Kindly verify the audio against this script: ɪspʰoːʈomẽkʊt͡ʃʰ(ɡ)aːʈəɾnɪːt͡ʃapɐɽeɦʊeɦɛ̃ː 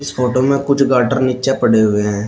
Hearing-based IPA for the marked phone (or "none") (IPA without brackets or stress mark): ɡ